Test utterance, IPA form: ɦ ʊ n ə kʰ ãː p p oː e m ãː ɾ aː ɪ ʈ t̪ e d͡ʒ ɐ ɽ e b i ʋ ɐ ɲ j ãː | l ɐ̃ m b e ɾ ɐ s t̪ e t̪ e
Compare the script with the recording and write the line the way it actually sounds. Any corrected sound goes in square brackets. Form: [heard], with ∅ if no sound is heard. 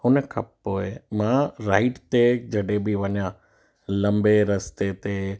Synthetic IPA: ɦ ʊ n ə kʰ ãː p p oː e m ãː ɾ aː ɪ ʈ t̪ e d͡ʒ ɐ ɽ e b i ʋ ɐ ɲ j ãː | l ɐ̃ m b e ɾ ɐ s t̪ e t̪ e